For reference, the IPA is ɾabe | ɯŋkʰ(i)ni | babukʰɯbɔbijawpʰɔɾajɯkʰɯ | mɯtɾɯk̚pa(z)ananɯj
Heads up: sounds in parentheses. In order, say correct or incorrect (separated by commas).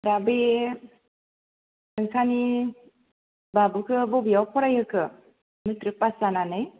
incorrect, incorrect